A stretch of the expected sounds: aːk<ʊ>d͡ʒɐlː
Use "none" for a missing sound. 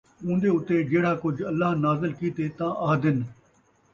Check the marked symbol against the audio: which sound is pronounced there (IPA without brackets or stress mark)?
ʊ